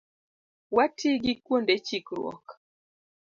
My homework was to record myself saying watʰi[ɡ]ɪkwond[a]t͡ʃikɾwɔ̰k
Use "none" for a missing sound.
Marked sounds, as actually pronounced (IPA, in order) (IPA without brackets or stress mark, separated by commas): ɡ, e